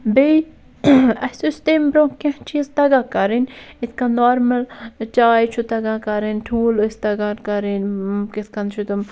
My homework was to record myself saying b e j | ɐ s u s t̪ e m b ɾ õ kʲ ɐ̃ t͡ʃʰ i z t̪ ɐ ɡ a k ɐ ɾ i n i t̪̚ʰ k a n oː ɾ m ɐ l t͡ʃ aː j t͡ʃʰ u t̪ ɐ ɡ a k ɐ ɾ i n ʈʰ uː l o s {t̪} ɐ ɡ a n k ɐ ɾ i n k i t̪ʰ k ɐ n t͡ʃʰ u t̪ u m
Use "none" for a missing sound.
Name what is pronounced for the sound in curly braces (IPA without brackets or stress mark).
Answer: t̪